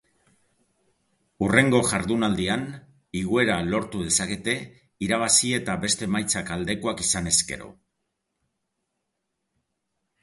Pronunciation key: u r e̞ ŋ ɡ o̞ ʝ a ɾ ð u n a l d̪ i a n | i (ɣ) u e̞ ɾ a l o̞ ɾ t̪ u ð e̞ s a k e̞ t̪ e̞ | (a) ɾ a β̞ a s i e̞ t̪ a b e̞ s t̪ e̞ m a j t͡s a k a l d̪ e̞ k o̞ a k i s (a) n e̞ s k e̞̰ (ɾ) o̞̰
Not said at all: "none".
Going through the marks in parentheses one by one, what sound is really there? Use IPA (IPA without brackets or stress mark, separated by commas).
ɣ, i, a, ɾ